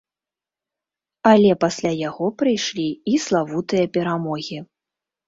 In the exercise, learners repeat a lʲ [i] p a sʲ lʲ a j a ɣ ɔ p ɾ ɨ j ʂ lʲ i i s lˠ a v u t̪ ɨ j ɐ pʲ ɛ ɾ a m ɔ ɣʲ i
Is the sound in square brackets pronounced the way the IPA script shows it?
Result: no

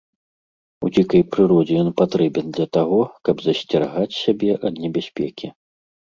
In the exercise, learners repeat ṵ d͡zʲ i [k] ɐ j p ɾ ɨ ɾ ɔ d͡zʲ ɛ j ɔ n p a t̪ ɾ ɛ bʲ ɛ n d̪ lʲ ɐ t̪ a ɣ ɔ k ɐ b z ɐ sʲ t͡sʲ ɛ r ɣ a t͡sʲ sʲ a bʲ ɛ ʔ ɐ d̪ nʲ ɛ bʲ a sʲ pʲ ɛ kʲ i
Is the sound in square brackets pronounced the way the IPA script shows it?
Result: yes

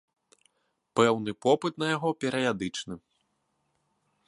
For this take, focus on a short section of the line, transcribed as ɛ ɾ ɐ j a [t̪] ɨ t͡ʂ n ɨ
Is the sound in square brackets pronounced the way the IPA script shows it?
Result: no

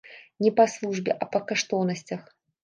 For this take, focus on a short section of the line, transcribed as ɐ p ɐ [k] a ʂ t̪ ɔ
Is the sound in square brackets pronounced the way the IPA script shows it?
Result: yes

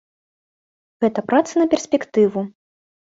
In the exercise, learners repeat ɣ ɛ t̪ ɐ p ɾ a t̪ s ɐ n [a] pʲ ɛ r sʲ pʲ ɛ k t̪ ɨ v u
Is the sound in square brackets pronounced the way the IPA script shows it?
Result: no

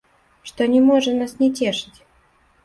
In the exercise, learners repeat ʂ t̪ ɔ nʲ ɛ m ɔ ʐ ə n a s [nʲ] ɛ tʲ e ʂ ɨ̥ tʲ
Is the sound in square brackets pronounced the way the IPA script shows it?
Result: yes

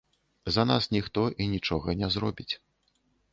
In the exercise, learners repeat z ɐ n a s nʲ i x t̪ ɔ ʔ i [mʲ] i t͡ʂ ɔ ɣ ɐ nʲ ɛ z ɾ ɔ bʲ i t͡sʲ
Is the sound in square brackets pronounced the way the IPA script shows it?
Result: no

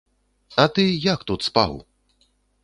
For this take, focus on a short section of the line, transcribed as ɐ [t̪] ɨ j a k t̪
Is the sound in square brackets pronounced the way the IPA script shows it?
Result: yes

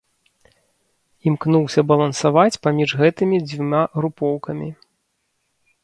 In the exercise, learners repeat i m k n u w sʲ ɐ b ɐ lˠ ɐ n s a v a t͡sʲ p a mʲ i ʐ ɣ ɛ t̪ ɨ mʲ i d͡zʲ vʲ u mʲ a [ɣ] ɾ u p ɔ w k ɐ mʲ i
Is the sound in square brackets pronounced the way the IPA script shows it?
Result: yes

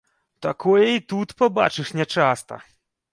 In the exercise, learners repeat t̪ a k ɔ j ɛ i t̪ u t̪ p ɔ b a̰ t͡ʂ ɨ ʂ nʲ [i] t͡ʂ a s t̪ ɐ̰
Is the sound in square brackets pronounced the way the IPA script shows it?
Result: no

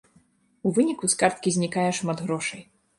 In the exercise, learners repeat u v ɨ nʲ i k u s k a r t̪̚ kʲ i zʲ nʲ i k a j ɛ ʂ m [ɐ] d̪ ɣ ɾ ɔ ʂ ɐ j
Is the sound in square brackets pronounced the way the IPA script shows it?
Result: no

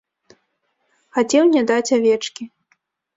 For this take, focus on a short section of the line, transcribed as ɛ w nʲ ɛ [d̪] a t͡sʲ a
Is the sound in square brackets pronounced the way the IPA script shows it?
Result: yes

